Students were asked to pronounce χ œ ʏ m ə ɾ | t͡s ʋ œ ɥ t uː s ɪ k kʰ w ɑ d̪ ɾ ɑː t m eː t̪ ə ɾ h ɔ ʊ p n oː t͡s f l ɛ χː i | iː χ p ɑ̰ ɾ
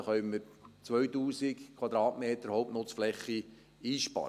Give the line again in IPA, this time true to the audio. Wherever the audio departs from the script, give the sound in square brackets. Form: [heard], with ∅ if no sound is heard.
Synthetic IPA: χ œ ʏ m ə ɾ | t͡s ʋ œ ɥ t uː s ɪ k kʰ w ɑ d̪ ɾ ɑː t m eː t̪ ə ɾ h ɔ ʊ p n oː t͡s f l ɛ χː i | iː [ʃ] p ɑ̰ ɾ